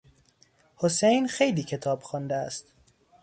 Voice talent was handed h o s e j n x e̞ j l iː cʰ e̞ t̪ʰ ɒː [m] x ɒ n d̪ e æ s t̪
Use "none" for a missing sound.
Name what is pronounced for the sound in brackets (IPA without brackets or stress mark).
b